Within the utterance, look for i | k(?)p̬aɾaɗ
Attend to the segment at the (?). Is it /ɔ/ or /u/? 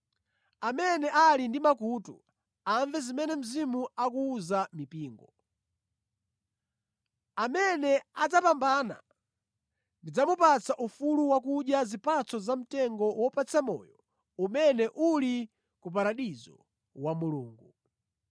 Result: u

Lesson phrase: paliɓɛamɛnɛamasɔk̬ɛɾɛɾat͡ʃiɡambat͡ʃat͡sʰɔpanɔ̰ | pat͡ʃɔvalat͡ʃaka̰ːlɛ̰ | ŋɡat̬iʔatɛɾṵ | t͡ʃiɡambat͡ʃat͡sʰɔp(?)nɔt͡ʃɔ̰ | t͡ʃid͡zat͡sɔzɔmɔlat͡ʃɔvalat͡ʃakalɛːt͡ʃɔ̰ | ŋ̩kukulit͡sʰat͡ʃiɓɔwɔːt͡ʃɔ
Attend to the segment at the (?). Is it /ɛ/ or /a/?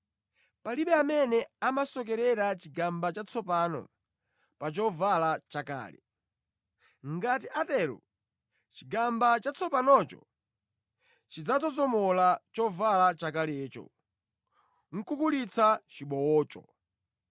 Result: a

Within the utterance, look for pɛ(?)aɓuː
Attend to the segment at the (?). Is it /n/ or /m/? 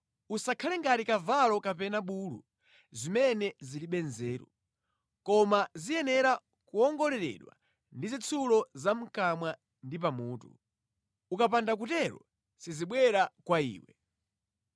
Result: n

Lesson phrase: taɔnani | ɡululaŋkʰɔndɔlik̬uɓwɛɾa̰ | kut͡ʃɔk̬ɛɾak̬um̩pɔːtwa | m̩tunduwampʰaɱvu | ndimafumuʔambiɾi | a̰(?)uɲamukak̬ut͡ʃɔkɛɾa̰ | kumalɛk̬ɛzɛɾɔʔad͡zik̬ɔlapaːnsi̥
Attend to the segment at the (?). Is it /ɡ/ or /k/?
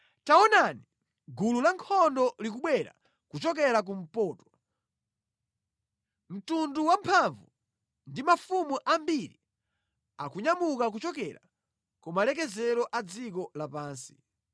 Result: k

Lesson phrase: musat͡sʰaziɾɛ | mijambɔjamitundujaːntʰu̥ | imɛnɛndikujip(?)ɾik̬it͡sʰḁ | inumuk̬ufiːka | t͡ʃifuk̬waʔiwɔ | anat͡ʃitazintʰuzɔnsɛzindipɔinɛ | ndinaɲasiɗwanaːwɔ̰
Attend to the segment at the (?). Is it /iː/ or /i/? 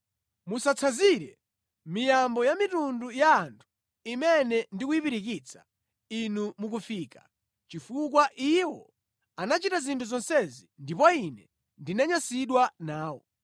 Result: i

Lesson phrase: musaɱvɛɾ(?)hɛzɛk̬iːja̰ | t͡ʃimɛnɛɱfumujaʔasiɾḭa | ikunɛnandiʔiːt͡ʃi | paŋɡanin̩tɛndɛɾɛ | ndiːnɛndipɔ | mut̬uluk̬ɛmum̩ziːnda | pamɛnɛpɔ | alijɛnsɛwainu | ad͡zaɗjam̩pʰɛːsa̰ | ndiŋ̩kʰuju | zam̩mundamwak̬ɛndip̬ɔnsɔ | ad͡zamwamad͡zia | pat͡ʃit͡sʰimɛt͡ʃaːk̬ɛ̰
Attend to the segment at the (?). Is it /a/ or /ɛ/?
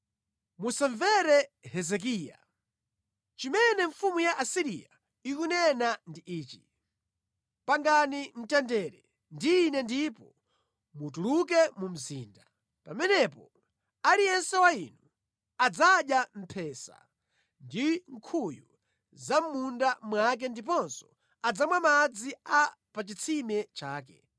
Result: ɛ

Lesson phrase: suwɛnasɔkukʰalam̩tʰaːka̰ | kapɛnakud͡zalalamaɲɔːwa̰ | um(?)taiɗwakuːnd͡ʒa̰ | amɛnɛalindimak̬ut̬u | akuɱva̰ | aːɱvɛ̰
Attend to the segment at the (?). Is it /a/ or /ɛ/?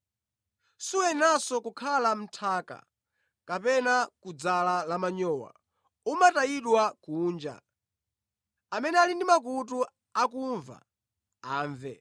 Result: a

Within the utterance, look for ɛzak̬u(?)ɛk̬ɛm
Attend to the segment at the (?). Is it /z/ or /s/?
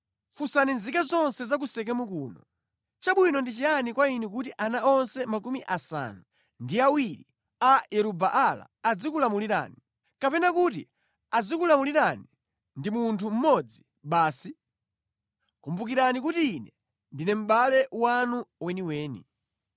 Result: s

